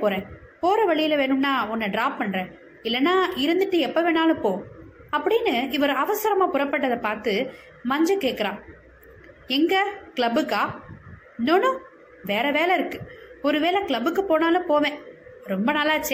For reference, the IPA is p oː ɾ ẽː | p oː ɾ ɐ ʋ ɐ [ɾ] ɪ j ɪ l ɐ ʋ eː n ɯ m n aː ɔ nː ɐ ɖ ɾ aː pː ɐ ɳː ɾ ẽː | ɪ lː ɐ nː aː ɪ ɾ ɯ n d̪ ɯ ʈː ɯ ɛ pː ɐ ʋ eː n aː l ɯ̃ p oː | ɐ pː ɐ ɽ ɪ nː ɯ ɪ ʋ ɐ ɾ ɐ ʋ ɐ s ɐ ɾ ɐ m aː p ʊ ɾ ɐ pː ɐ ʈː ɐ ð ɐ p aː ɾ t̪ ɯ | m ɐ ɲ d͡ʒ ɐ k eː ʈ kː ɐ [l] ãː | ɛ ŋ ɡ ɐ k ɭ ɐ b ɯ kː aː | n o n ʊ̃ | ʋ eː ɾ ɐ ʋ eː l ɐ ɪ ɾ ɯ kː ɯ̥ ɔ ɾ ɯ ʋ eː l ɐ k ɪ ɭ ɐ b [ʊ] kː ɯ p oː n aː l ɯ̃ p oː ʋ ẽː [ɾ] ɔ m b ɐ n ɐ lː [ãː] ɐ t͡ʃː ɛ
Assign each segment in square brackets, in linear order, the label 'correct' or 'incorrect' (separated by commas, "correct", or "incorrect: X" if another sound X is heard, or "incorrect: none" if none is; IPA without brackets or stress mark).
incorrect: ɭ, incorrect: ɾ, incorrect: ɯ, correct, incorrect: aː